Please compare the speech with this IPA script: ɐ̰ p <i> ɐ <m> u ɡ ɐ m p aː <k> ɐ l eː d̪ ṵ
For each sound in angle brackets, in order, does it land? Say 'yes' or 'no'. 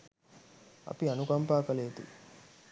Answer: yes, no, yes

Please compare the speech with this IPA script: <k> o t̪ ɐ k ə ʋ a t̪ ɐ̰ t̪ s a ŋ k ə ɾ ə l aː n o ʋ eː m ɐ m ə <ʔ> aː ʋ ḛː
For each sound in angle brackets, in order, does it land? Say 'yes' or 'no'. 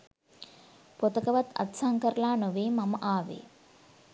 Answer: no, yes

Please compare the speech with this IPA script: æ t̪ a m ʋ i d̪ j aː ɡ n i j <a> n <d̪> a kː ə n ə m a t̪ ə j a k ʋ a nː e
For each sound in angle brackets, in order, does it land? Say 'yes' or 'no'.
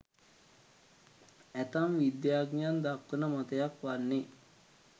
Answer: yes, yes

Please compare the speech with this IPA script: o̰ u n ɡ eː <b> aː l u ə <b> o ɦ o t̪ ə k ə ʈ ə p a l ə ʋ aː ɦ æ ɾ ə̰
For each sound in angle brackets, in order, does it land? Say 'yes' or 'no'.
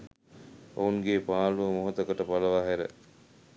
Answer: no, no

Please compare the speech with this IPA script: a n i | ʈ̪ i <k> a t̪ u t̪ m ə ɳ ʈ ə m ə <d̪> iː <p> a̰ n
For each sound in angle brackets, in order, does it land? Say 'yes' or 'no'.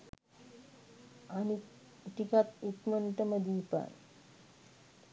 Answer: yes, yes, yes

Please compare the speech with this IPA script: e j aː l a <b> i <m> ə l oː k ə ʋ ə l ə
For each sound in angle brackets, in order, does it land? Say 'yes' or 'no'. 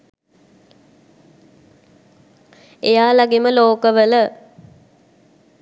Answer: no, yes

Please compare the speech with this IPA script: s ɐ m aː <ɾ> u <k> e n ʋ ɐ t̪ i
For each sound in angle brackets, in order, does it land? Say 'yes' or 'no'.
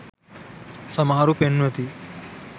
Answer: yes, no

